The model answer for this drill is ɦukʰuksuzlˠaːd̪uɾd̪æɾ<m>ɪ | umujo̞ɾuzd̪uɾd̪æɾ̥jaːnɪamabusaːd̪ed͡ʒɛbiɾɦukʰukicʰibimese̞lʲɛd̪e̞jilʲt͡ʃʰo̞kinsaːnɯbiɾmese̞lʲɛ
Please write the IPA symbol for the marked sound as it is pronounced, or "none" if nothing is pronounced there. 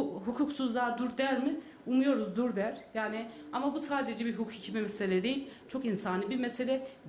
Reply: m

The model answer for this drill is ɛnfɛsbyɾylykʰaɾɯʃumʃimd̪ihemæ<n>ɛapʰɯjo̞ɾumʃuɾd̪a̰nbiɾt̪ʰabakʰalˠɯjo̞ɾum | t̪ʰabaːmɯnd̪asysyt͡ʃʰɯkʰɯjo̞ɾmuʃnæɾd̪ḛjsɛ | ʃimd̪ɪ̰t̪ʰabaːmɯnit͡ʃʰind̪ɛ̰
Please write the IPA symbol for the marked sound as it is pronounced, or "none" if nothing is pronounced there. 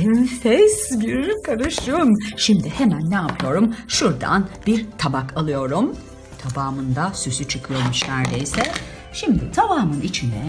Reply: nː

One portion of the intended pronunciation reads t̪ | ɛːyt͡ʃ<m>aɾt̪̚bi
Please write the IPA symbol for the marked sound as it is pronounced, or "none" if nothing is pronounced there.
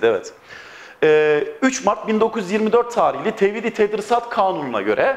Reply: m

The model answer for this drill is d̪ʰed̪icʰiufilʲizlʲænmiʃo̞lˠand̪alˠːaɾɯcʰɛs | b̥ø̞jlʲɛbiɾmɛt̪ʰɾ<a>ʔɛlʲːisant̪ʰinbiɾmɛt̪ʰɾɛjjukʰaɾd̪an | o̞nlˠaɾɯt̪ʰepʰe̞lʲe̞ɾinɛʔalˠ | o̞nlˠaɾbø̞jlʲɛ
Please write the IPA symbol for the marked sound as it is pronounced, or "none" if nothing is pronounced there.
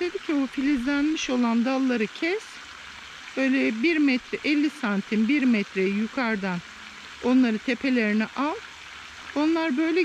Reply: ɛ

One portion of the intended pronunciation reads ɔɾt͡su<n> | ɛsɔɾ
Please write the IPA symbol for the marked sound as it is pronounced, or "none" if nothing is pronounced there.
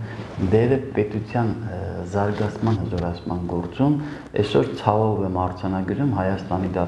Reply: m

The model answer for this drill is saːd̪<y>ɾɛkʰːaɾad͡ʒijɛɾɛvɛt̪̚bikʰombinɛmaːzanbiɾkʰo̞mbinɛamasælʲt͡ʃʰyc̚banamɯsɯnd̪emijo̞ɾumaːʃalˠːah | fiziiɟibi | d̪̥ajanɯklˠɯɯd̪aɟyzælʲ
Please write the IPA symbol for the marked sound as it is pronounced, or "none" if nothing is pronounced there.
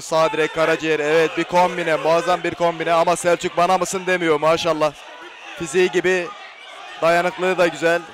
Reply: i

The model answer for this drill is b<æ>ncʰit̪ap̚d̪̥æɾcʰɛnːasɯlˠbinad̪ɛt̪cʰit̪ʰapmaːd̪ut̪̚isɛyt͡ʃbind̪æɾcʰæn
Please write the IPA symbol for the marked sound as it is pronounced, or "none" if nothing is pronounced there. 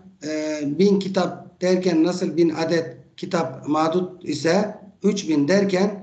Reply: i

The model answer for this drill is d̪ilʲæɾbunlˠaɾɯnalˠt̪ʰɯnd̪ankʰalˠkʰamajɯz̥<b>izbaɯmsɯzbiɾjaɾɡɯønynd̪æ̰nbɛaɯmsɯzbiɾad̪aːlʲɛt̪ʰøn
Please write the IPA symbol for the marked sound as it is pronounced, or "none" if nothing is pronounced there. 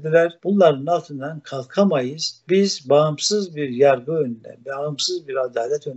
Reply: b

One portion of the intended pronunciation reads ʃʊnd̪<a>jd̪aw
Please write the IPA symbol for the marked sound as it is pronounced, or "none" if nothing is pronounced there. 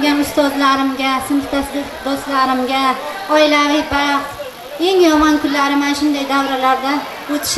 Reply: a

